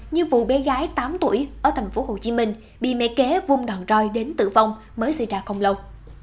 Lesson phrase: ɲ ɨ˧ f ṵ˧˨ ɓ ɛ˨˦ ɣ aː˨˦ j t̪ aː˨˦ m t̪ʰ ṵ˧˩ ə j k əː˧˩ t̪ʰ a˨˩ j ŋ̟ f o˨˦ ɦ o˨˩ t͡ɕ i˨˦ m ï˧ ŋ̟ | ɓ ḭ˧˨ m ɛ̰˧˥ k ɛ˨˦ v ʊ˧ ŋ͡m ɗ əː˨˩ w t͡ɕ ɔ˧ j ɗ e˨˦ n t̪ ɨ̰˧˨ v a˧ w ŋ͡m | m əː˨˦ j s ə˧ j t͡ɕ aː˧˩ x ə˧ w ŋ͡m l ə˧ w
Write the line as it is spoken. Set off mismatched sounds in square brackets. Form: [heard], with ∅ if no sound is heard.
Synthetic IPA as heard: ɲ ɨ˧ [v] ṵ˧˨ ɓ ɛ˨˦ ɣ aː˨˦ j t̪ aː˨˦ m [t̪] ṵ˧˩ ə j [ʔ] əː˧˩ t̪ʰ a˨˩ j ŋ̟ f o˨˦ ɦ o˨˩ t͡ɕ i˨˦ m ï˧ ŋ̟ | ɓ ḭ˧˨ m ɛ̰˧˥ k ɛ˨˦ v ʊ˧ ŋ͡m ɗ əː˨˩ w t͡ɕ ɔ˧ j ɗ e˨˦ n t̪ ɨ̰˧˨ v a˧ w ŋ͡m | m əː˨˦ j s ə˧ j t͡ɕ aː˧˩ x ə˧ w ŋ͡m l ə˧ w